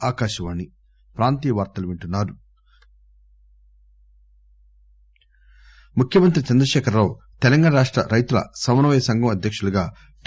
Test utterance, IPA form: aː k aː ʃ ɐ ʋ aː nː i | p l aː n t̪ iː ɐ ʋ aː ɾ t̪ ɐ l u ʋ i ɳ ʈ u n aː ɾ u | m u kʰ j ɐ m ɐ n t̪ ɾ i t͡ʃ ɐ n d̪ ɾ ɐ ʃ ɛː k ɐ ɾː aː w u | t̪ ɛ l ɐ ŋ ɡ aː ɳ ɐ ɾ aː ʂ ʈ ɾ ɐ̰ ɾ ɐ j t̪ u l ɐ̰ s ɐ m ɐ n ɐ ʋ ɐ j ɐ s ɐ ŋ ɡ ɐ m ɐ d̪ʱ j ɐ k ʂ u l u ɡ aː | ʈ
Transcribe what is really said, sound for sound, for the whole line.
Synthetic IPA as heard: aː k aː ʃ ɐ ʋ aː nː i | p ɾ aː n t̪ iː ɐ ʋ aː ɾ t̪ ɐ l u ʋ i ɳ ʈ u nː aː ɾ u | m u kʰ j ɐ m ɐ n t̪ ɾ i t͡ʃ ɐ n d̪ ɾ ɐ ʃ ɛː k ɐ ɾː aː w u | t̪ ɛ l ɐ ŋ ɡ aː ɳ ɐ ɾ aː ʂ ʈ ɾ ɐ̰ ɾ ɐ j t̪ u l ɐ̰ s ɐ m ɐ n ɐ ʋ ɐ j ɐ s ɐ ŋ ɡ ɐ m ɐ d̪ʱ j ɐ k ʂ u l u ɡ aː | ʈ